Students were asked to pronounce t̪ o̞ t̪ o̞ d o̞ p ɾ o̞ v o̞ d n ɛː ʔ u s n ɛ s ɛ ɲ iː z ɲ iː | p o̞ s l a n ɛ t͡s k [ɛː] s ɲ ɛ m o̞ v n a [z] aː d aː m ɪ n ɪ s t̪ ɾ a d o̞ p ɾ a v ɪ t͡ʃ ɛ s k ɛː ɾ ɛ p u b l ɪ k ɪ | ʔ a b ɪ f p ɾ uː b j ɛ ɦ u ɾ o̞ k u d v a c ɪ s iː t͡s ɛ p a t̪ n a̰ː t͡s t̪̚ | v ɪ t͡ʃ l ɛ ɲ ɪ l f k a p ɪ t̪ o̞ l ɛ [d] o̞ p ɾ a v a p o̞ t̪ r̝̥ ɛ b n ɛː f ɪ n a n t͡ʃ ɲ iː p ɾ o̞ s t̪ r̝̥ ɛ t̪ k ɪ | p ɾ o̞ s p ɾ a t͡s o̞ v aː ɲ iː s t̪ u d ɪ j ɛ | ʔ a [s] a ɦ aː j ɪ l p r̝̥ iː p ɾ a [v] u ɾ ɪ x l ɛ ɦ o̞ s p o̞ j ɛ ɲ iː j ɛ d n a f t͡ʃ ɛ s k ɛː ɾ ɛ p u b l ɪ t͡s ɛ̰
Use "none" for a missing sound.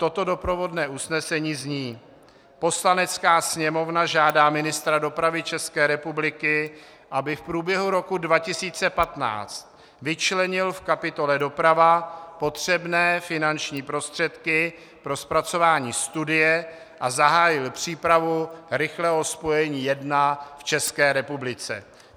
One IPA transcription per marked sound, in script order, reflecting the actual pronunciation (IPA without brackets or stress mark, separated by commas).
aː, ʒ, d, z, v